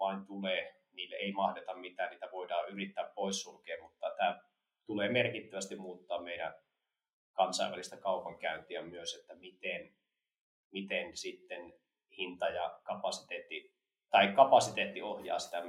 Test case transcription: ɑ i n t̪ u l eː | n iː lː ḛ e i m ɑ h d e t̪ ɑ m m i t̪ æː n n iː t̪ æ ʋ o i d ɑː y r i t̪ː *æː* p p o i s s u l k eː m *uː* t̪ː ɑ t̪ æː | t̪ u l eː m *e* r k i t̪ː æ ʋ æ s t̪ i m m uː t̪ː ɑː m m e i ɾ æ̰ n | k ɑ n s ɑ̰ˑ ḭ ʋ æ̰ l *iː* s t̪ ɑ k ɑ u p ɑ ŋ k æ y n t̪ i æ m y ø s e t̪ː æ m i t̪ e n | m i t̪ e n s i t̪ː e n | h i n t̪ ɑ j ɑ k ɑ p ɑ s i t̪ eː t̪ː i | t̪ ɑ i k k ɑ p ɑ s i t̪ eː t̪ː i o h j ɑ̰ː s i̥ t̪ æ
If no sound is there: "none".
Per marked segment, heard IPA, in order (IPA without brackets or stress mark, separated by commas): æː, u, e, i